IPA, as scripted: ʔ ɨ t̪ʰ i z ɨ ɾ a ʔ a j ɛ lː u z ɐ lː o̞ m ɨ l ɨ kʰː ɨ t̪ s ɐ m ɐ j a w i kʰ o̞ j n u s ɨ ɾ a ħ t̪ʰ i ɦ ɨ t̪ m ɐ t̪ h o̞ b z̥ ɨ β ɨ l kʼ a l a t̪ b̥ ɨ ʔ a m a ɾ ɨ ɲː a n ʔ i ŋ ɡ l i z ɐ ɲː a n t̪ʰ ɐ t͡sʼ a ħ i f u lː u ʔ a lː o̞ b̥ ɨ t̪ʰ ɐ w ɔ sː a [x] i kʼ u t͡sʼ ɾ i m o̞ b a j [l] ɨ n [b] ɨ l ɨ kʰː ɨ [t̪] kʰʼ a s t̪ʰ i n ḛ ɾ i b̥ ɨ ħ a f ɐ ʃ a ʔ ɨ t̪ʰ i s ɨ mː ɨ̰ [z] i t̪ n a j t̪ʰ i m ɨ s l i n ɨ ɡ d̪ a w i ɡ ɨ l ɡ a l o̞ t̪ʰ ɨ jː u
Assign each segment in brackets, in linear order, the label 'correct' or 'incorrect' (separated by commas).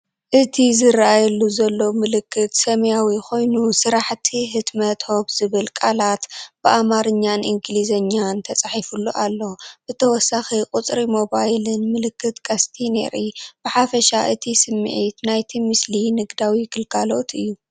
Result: correct, correct, incorrect, correct, incorrect